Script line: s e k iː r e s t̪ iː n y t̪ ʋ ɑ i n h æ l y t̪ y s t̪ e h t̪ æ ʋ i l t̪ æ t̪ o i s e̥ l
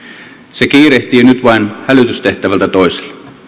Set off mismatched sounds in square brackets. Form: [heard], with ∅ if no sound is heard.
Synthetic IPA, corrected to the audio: s e k iː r e [h] t̪ iː n y t̪ ʋ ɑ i n h æ l y t̪ y s t̪ e h t̪ æ ʋ [æ] l t̪ æ t̪ o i s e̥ l